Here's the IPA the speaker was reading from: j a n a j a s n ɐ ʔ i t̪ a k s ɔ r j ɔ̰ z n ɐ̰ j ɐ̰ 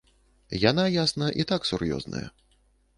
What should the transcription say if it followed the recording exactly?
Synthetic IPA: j a n a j a s n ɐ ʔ i t̪ a k s u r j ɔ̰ z n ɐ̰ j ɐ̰